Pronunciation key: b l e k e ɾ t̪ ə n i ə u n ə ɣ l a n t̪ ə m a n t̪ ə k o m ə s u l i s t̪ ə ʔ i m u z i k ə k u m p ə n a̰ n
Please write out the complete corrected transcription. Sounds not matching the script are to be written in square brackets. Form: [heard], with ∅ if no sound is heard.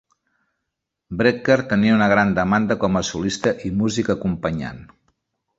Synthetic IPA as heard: b [ɾ] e k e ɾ t̪ ə n i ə u n ə ɣ [ɾ] a n [d̪] ə m a n [d̪] ə k [ɔ] m ə s u l i s t̪ ə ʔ i m u z i k ə k u m p ə [ɲ] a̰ n